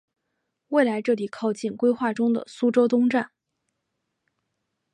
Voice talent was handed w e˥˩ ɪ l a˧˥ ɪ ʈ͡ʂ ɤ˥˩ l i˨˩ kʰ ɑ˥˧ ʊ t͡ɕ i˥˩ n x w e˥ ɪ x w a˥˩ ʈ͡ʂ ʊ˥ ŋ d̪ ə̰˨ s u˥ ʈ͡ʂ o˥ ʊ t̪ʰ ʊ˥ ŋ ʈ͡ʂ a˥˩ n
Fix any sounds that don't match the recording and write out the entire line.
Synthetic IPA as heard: w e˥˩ ɪ l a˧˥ ɪ ʈ͡ʂ ɤ˥˩ l i˨˩ kʰ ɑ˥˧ ʊ t͡ɕ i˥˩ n k w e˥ ɪ x w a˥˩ ʈ͡ʂ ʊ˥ ŋ d̪ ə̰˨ s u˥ ʈ͡ʂ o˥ ʊ t̪ ʊ˥ ŋ ʈ͡ʂ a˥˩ n